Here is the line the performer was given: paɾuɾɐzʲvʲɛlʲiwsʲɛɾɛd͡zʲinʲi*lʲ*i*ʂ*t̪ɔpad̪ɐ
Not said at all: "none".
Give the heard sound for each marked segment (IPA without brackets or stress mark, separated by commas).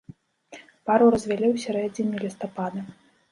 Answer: lʲ, s